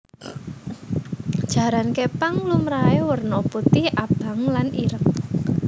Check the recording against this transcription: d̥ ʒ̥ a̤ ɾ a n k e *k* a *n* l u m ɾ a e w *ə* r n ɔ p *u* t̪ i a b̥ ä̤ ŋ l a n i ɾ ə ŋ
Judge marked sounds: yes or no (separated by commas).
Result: no, no, yes, yes